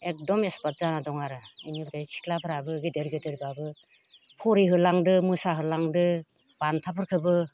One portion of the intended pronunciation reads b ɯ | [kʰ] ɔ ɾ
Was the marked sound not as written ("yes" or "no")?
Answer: yes